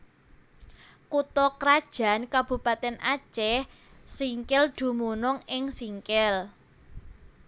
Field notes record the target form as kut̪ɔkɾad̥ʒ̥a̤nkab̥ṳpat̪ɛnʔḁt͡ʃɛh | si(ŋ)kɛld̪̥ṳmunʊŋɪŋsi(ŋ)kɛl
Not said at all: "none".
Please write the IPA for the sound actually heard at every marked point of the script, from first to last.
ŋ, ŋ

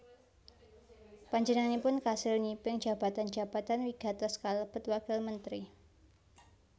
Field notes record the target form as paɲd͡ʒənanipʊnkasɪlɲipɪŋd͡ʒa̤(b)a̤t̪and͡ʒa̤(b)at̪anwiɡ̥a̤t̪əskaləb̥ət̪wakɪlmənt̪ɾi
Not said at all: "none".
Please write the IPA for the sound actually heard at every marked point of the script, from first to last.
b, b

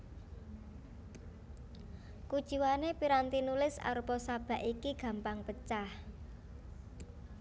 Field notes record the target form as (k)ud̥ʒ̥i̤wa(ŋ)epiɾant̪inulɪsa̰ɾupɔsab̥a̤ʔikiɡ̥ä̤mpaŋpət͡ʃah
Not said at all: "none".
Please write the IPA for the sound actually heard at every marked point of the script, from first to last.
k, n

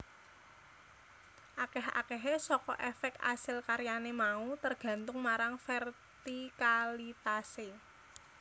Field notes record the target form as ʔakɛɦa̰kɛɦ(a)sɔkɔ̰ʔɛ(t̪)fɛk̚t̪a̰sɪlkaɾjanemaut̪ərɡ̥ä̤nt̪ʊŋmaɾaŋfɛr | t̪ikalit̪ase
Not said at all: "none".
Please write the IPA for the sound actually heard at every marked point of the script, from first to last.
e, none

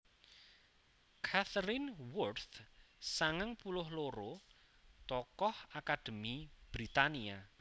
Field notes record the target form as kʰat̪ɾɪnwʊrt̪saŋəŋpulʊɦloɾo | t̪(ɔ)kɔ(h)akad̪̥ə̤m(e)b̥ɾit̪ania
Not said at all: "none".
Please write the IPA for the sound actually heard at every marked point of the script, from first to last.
ɔ, h, i

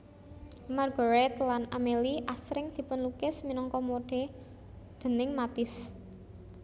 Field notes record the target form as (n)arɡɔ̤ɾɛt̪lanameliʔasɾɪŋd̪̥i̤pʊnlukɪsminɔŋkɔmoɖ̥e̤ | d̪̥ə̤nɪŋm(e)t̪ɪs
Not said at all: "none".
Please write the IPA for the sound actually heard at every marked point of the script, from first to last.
m, a

